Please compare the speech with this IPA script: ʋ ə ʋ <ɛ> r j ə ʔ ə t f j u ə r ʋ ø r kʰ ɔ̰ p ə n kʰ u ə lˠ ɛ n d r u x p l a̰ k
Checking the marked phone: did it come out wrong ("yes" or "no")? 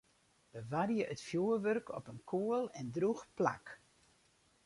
yes